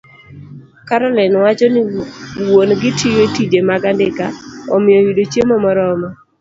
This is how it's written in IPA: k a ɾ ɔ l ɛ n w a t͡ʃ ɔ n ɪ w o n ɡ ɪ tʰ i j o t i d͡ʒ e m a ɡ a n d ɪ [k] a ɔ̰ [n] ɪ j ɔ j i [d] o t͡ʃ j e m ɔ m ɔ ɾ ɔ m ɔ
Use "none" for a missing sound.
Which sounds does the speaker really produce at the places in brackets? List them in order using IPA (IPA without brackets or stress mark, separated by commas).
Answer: k, m, d